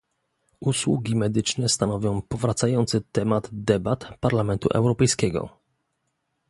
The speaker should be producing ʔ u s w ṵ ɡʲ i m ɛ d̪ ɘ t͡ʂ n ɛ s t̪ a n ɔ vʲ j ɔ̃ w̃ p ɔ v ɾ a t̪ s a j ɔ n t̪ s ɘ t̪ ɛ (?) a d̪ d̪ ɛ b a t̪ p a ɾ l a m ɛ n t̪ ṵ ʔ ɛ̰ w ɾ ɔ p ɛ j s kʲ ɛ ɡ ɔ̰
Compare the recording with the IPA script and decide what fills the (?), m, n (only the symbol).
m